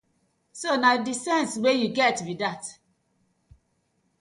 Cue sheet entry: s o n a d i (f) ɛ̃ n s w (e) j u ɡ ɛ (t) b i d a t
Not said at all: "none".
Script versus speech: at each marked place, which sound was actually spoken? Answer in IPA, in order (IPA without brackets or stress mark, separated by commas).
s, e, t